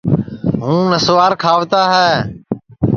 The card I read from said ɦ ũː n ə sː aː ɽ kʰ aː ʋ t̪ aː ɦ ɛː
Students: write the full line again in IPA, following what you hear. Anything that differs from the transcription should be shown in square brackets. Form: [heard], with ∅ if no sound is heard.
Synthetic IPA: ɦ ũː n ə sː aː [ɾ] kʰ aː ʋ t̪ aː ɦ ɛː